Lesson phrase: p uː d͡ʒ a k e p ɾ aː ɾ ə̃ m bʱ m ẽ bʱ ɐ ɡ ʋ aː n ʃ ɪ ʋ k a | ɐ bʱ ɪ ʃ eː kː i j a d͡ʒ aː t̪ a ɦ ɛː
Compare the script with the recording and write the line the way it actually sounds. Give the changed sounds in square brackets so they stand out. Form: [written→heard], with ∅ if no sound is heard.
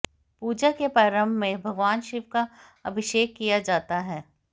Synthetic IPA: p uː d͡ʒ a k e p ɾ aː ɾ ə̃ m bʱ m ẽ bʱ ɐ ɡ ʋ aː n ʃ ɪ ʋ k a | ɐ bʱ ɪ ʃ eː kː i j a d͡ʒ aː t̪ a ɦ ɛː